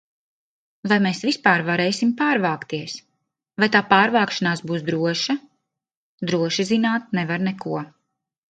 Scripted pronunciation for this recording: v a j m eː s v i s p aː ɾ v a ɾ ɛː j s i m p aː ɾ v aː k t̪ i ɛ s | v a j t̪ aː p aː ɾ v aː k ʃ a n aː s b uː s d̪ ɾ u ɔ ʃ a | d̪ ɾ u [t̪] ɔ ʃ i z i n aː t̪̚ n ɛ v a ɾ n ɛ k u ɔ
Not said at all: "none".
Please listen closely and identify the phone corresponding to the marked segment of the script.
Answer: none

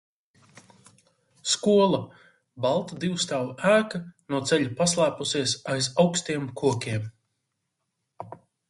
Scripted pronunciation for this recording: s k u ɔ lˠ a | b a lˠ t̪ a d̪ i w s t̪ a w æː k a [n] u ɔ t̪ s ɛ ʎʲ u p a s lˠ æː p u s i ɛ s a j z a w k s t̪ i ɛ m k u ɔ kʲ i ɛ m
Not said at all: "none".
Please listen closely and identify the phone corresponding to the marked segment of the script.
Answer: n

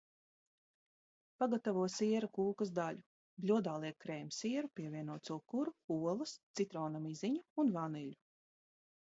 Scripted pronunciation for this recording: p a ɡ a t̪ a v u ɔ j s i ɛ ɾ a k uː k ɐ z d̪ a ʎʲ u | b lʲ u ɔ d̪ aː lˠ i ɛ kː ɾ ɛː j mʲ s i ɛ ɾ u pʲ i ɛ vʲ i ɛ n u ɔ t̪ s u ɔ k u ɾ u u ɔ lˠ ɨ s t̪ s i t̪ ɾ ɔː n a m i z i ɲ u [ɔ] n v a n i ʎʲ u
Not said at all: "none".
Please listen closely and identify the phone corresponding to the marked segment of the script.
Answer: u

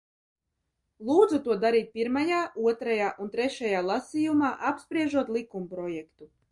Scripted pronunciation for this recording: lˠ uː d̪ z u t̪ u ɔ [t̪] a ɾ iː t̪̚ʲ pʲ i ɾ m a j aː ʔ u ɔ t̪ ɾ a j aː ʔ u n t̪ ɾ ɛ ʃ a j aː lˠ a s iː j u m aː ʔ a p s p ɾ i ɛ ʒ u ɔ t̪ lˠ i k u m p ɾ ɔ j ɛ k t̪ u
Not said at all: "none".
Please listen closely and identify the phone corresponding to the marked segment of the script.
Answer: d̪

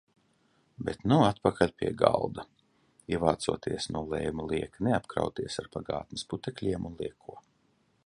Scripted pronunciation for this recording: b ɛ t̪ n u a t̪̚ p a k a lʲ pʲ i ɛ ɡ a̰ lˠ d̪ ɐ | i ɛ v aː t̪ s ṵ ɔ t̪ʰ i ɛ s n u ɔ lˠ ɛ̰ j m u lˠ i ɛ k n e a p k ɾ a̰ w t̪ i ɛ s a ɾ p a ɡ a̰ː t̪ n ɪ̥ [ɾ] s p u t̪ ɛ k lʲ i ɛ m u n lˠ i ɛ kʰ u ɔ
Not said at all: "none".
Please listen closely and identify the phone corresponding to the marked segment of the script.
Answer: none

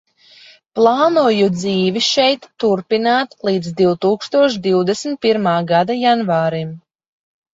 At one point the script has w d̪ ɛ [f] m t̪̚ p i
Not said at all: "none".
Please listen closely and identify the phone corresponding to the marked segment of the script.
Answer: s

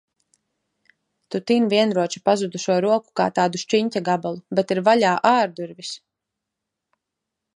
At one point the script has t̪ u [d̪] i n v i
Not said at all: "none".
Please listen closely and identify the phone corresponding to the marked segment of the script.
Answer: t̪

